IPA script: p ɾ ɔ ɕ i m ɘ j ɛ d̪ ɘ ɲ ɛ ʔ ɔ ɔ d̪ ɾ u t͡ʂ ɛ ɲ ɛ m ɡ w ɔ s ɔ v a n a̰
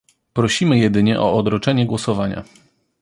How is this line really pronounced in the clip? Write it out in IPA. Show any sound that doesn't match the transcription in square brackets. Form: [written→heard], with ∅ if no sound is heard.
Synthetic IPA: p ɾ ɔ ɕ i m ɘ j ɛ d̪ ɘ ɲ ɛ ʔ ɔ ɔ d̪ ɾ [u→ɔ] t͡ʂ ɛ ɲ ɛ [m→∅] ɡ w ɔ s ɔ v a [n→ɲ] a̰